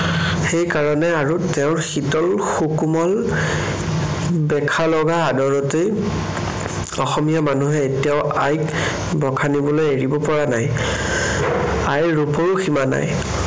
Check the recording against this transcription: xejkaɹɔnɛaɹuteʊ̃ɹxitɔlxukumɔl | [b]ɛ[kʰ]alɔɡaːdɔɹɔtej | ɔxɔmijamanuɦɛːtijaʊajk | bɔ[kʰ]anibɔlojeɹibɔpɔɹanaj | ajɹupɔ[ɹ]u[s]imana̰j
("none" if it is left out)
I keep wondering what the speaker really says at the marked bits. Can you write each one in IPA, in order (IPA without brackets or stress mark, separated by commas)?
b, kʰ, kʰ, ɹ, x